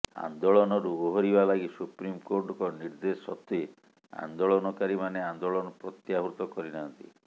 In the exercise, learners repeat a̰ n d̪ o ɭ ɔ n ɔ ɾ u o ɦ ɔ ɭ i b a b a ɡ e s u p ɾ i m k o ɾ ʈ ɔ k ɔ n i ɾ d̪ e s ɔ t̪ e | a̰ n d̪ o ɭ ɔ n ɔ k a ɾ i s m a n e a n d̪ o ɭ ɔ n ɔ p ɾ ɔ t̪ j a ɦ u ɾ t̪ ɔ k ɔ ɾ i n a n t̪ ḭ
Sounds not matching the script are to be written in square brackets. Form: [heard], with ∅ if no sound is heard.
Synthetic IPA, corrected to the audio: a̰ n d̪ o ɭ ɔ n ɔ ɾ u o ɦ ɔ [ɾ] i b a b a ɡ [i] s u p ɾ i m k o ɾ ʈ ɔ k ɔ n i ɾ d̪ e s ɔ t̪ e | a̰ n d̪ o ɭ ɔ n ɔ k a ɾ i [∅] m a n e a n d̪ o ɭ ɔ n ɔ p ɾ ɔ t̪ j a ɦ u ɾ t̪ ɔ k ɔ ɾ i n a n t̪ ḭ

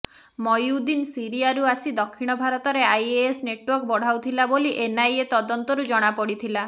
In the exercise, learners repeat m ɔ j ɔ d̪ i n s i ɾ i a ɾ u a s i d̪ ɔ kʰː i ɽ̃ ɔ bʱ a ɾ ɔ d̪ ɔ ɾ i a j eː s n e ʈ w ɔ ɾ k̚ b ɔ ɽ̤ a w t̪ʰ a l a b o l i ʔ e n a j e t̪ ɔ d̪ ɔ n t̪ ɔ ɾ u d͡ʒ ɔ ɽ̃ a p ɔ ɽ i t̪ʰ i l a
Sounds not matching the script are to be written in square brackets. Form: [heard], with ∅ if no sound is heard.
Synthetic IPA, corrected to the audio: m ɔ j [u] d̪ i n s i ɾ i a ɾ u a s i d̪ ɔ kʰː i ɽ̃ ɔ bʱ a ɾ ɔ [t̪] ɔ ɾ [e] a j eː s n e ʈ w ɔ ɾ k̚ b ɔ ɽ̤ a w t̪ʰ [i] l a b o l i ʔ e n a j e t̪ ɔ d̪ ɔ n t̪ ɔ ɾ u d͡ʒ ɔ ɽ̃ a p ɔ ɽ i t̪ʰ i l a

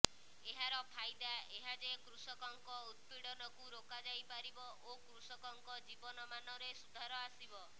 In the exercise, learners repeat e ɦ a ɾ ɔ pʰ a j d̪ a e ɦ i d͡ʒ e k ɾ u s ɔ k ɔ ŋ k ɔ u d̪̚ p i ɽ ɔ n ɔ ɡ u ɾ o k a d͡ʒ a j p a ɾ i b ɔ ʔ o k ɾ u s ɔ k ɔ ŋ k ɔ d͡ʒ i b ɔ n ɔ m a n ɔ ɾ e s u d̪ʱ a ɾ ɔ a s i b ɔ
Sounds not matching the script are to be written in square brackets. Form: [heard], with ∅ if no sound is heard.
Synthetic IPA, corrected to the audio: e ɦ a ɾ ɔ pʰ a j d̪ a e ɦ [a] d͡ʒ e k ɾ u s ɔ k ɔ ŋ k ɔ u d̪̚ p i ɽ ɔ n ɔ [k] u ɾ o k a d͡ʒ a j p a ɾ i b ɔ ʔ o k ɾ u s ɔ k ɔ ŋ k ɔ d͡ʒ i b ɔ n ɔ m a n ɔ ɾ e s u d̪ʱ a ɾ ɔ a s i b ɔ

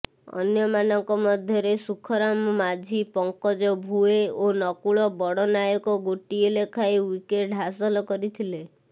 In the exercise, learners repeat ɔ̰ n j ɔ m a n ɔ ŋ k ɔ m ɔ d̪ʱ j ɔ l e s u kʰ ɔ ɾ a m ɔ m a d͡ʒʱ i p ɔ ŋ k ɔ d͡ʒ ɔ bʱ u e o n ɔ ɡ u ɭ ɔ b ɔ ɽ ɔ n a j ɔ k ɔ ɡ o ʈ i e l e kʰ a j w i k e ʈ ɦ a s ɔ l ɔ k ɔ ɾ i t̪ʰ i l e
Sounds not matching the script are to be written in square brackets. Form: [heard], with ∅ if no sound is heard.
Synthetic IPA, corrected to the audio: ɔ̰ n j ɔ m a n ɔ ŋ k ɔ m ɔ d̪ʱ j ɔ [ɾ] e s u kʰ ɔ ɾ a m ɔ m a d͡ʒʱ i p ɔ ŋ k ɔ d͡ʒ ɔ bʱ u e o n ɔ [k] u ɭ ɔ b ɔ ɽ ɔ n a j ɔ k ɔ ɡ o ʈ i e l e kʰ a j w i k e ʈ ɦ a s ɔ l ɔ k ɔ ɾ i t̪ʰ i l e

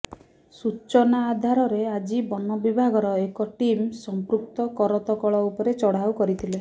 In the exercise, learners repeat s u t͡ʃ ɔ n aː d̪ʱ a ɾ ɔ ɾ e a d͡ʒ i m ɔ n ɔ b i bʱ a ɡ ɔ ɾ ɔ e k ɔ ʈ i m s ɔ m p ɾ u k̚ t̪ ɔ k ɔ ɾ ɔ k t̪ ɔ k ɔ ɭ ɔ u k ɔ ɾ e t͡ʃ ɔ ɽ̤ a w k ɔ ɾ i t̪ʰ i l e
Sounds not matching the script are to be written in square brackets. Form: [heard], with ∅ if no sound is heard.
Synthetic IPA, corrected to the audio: s u t͡ʃ ɔ n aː d̪ʱ a ɾ ɔ ɾ e a d͡ʒ i [b] ɔ n ɔ b i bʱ a ɡ ɔ ɾ ɔ e k ɔ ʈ i m s ɔ m p ɾ u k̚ t̪ ɔ k ɔ ɾ ɔ [∅] t̪ ɔ k ɔ ɭ ɔ u [p] ɔ ɾ e t͡ʃ ɔ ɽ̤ a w k ɔ ɾ i t̪ʰ i l e

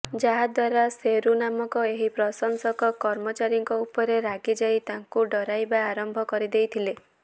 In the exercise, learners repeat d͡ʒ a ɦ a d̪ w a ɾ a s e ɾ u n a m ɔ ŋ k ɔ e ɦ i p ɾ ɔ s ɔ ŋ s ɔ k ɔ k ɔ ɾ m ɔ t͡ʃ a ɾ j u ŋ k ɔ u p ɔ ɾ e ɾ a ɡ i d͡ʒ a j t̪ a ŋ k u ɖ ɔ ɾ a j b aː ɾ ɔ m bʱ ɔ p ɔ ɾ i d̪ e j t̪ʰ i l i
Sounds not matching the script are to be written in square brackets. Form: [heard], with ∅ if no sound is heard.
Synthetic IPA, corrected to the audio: d͡ʒ a ɦ a d̪ w a ɾ a s e ɾ u n a m ɔ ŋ k ɔ e ɦ i p ɾ ɔ s ɔ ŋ s ɔ k ɔ k ɔ ɾ m ɔ t͡ʃ a ɾ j [ɔ] ŋ k ɔ u p ɔ ɾ e ɾ a ɡ i d͡ʒ a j t̪ a ŋ k u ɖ ɔ ɾ a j b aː ɾ ɔ m bʱ ɔ [k] ɔ ɾ i d̪ e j t̪ʰ i l [e]

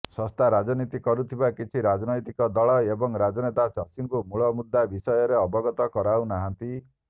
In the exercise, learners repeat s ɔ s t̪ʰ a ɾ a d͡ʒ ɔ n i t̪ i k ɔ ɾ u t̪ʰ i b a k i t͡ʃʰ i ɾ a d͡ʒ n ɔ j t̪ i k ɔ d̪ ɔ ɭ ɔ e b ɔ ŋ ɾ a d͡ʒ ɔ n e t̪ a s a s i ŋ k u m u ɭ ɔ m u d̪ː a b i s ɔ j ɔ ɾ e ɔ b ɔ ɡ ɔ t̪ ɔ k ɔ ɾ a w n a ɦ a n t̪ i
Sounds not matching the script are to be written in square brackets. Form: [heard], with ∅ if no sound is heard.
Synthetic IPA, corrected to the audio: s ɔ s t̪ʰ a ɾ a d͡ʒ ɔ n i t̪ i k ɔ ɾ u t̪ʰ i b a k i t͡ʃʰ i ɾ a d͡ʒ n ɔ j t̪ i k ɔ d̪ ɔ ɭ ɔ e b ɔ ŋ ɾ a d͡ʒ ɔ n e t̪ a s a s i ŋ k u m u ɭ ɔ m u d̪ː a b i s ɔ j ɔ ɾ e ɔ b ɔ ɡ ɔ t̪ ɔ k ɔ ɾ a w n a ɦ a n t̪ i

